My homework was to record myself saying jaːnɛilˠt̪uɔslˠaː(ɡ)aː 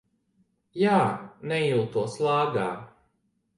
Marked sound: correct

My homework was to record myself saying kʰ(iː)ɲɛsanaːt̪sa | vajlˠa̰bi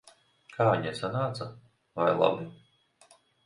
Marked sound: incorrect: aː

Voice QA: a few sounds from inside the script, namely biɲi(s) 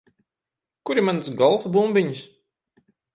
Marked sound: correct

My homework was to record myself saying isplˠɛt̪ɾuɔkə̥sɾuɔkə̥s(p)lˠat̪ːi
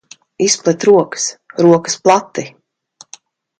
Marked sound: correct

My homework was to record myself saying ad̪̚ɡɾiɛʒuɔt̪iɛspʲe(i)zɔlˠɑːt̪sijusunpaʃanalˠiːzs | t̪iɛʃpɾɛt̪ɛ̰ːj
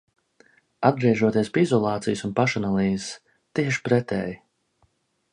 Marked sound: correct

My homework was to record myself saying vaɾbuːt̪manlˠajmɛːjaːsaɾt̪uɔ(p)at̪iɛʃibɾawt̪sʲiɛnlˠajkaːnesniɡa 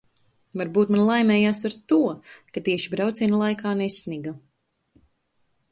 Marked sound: incorrect: k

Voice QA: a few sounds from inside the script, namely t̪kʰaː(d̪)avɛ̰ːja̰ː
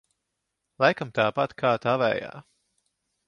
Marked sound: incorrect: t̪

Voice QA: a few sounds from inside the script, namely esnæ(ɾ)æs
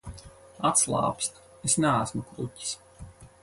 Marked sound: incorrect: none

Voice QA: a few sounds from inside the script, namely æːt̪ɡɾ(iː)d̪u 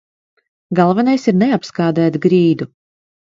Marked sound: correct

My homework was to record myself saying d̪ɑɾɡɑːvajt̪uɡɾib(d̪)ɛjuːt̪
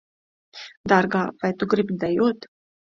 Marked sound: correct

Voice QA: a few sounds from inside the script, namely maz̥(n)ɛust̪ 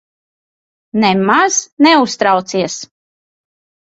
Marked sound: correct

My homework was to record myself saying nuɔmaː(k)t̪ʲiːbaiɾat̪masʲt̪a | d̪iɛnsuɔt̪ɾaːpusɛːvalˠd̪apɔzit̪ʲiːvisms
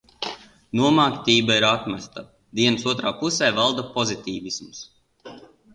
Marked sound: correct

